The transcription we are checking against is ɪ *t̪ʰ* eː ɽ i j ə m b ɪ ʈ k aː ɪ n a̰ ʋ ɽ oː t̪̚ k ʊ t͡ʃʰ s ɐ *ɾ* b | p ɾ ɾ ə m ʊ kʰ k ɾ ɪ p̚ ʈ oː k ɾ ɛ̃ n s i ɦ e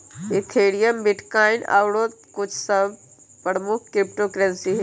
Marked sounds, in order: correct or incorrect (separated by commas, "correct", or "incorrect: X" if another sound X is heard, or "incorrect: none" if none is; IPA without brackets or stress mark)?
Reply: correct, incorrect: none